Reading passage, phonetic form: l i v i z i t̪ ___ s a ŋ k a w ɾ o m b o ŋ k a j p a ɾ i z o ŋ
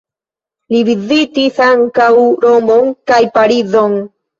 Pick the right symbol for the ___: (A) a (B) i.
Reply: B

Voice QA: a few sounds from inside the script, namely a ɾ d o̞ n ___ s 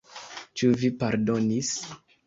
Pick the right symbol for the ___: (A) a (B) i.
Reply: B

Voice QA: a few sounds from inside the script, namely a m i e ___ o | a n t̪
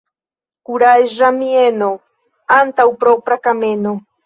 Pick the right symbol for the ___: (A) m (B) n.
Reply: B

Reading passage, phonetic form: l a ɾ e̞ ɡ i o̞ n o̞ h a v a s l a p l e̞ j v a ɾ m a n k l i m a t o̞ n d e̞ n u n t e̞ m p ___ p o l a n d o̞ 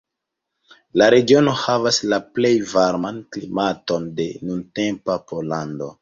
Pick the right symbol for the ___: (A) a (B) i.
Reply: A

